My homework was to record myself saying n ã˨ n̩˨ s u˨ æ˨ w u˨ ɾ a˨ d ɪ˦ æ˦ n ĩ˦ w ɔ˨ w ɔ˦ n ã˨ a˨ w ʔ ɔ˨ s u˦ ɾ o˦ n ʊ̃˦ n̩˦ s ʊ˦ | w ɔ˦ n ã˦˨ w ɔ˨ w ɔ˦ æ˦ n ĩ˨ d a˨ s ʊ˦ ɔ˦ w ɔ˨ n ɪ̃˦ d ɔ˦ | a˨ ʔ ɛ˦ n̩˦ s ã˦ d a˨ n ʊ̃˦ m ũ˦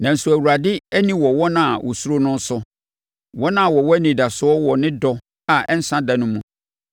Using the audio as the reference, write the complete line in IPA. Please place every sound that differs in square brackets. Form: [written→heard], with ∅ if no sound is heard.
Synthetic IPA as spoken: n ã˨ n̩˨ s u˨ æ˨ w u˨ ɾ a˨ d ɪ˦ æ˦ n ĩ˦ w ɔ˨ w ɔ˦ n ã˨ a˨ w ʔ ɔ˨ s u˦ ɾ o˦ n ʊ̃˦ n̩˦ s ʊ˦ | w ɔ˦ n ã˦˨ w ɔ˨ w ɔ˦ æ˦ n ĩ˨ d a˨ s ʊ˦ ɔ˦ w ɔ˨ n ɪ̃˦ d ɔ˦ | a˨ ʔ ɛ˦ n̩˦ s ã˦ d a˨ n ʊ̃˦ m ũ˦